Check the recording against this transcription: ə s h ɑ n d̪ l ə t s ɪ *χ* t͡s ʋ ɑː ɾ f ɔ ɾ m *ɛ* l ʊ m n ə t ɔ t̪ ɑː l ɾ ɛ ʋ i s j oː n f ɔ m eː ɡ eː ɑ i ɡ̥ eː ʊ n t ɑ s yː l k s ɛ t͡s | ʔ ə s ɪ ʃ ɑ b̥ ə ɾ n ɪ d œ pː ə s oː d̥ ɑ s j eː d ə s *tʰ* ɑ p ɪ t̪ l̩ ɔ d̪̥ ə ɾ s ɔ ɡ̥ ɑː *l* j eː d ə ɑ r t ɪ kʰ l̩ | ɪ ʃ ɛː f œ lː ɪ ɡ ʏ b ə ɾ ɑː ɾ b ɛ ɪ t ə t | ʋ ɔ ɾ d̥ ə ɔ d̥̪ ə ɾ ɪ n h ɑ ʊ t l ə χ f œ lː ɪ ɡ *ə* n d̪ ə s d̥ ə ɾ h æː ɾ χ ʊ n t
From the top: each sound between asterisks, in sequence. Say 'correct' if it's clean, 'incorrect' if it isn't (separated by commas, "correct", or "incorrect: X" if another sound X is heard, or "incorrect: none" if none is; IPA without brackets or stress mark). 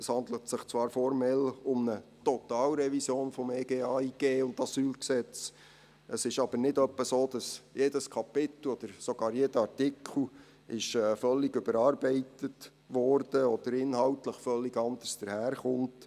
correct, correct, incorrect: kʰ, incorrect: ɾ, incorrect: ɑ